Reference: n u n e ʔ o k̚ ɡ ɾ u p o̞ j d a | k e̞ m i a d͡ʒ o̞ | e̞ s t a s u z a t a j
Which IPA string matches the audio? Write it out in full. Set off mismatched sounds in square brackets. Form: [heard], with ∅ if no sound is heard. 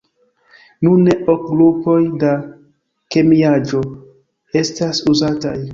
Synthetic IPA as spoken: n u n e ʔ o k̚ ɡ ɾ u p o̞ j d a | k e̞ m i a d͡ʒ o̞ | e̞ s t a s u z a t a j